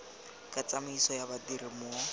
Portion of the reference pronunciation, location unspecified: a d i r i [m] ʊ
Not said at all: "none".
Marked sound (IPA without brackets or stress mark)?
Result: m